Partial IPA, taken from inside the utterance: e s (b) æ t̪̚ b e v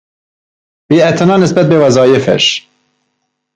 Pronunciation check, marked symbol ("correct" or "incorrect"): correct